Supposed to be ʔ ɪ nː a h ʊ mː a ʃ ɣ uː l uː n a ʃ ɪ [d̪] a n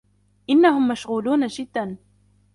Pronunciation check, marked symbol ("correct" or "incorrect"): incorrect